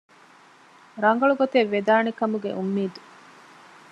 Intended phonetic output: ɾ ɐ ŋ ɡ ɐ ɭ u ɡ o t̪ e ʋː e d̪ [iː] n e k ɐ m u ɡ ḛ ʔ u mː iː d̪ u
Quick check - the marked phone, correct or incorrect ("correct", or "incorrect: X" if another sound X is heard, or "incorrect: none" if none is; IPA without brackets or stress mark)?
incorrect: aː